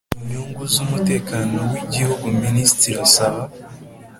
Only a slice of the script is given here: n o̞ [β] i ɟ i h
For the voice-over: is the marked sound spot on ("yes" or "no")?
no